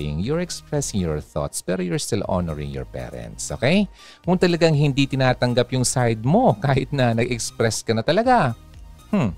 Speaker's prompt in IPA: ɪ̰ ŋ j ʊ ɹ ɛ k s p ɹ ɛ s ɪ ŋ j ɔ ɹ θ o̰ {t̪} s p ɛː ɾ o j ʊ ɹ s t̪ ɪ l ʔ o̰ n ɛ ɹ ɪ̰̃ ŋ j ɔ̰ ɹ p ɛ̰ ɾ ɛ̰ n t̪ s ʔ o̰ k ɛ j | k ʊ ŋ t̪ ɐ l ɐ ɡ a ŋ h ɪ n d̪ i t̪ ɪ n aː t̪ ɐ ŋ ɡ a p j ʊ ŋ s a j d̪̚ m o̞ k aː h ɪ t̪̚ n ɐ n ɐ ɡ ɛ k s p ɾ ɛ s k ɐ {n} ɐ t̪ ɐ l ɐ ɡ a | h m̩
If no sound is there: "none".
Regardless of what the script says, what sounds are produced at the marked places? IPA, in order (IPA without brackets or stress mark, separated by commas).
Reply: t̪, n